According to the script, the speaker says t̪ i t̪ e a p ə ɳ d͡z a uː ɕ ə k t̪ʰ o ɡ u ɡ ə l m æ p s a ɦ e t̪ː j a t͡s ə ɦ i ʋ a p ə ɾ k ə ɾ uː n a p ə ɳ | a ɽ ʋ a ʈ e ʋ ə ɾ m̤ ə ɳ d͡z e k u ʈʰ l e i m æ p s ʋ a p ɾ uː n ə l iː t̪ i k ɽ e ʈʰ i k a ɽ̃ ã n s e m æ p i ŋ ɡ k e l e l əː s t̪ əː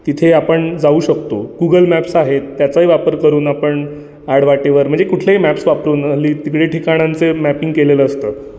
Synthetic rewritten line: t̪ i t̪ʰ e a p ə ɳ d͡z a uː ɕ ə k t̪ o ɡ u ɡ ə l m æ p s a ɦ e t̪ː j a t͡s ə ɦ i ʋ a p ə ɾ k ə ɾ uː n a p ə ɳ | a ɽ ʋ a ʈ e ʋ ə ɾ m̤ ə ɳ d͡z e k u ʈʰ l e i m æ p s ʋ a p ɾ uː n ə l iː t̪ i k ɽ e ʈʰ i k a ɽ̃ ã n t͡s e m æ p i ŋ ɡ k e l e l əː s t̪ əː